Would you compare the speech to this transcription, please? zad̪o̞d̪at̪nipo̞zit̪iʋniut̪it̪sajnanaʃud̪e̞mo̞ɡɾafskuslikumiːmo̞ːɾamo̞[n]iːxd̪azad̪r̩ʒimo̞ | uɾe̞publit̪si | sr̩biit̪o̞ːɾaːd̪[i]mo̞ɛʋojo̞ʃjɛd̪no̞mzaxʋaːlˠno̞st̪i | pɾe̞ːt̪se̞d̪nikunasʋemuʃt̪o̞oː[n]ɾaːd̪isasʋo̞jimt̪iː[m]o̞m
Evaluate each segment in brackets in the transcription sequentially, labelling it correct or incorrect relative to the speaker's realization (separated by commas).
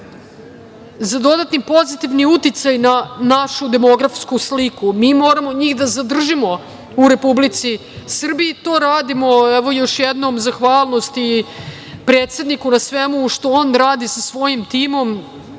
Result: incorrect, correct, correct, correct